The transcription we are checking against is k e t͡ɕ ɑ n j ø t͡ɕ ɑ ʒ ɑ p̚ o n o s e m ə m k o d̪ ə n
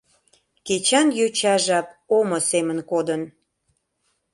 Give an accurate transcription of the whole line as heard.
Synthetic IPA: k e t͡ɕ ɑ n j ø t͡ɕ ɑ ʒ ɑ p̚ o m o s e m ə n k o d̪ ə n